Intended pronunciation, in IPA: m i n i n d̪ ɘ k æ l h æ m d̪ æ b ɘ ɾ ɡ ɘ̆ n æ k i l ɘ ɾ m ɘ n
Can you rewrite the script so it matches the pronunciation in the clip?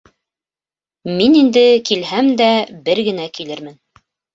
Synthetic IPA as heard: m i n i n d̪ ɘ k i l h æ m d̪ æ b ɘ ɾ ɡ ɘ̆ n æ k i l ɘ ɾ m ɘ n